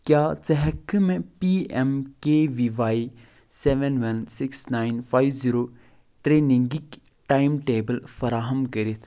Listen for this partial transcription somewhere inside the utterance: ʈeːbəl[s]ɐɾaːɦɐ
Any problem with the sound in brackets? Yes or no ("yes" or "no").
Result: yes